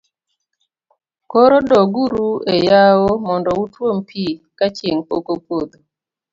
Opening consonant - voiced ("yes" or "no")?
no